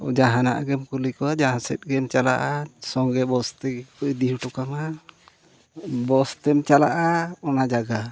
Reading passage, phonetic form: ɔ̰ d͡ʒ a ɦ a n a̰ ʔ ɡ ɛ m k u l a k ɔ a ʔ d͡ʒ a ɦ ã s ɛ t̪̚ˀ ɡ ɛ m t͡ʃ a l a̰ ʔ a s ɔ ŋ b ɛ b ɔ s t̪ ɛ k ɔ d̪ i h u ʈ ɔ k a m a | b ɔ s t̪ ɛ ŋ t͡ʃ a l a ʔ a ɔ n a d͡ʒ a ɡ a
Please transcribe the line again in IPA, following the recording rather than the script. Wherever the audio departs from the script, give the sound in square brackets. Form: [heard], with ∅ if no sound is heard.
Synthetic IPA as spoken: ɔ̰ d͡ʒ a ɦ a n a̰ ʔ ɡ ɛ m k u l [i] k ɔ a [∅] d͡ʒ a ɦ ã s ɛ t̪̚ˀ ɡ ɛ m t͡ʃ a l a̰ ʔ a s ɔ ŋ [ɡ] ɛ b ɔ s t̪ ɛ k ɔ d̪ i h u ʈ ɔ k a m a | b ɔ s t̪ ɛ [m] t͡ʃ a l a ʔ a ɔ n a d͡ʒ a ɡ a